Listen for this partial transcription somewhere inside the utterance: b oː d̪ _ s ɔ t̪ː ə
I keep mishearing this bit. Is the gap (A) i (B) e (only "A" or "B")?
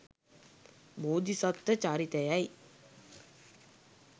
A